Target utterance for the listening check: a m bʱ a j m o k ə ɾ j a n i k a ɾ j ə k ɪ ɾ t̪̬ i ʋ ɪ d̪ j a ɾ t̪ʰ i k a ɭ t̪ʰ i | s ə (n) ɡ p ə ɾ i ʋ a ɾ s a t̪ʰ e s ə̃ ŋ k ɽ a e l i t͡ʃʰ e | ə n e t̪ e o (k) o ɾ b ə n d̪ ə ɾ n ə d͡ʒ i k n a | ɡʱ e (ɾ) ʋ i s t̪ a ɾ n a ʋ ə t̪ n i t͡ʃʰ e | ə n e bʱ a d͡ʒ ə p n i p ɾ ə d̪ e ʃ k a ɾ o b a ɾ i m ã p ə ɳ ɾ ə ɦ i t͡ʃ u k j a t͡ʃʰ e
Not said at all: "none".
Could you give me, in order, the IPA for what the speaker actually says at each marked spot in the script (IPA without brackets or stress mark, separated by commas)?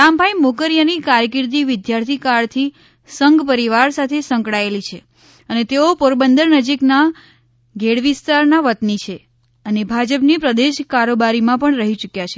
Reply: ŋ, p, ɽ